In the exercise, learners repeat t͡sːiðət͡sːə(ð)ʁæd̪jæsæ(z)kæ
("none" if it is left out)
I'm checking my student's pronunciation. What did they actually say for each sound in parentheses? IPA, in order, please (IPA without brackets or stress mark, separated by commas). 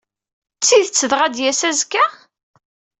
ð, z